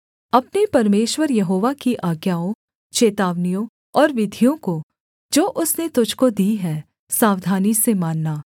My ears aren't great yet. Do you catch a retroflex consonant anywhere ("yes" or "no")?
no